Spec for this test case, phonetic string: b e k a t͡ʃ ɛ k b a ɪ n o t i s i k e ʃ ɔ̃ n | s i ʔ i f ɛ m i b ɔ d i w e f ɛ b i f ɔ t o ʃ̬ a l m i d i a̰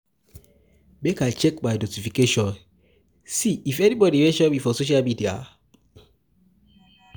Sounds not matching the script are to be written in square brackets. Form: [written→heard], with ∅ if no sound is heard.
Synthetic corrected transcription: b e k a t͡ʃ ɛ k b a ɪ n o t i [s→f] i k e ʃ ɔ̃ n | s i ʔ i f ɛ [m→n] i b ɔ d i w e [f→ʃ] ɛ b i f ɔ [t→s] o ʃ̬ a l m i d i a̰